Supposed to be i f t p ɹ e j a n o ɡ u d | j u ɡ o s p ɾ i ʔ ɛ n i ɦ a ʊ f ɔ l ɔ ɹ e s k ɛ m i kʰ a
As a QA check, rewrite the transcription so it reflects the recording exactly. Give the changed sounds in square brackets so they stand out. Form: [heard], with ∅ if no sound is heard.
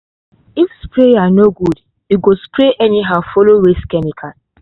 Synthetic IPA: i f [s] p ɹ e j a n o ɡ u d | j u ɡ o s p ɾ [e] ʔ ɛ n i ɦ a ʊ f ɔ l [o] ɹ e s k ɛ m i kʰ a